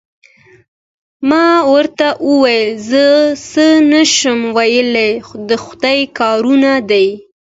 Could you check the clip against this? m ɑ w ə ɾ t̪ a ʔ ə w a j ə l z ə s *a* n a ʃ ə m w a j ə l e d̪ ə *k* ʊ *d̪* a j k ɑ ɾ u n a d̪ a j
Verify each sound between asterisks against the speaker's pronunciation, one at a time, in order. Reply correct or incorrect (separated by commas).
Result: incorrect, incorrect, correct